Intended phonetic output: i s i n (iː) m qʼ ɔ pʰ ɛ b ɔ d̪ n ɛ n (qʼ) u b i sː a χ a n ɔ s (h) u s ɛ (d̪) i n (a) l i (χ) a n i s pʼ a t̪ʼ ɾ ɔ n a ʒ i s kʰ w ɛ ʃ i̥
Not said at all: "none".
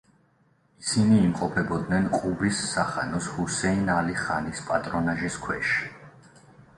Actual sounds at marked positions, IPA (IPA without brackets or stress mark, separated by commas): iː, qʼ, h, none, a, χ